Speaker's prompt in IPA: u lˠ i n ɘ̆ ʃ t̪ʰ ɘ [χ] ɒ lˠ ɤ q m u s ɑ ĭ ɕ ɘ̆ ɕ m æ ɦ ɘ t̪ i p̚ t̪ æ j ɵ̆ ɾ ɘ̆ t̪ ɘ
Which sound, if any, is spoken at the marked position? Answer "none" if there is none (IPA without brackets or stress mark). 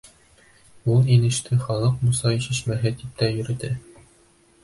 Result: χ